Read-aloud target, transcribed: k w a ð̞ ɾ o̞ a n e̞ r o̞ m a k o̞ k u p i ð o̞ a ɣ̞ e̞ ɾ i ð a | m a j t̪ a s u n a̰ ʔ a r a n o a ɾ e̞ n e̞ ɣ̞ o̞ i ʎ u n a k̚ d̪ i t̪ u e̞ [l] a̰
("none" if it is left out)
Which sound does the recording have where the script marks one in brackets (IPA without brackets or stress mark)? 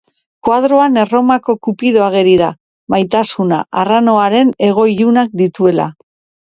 l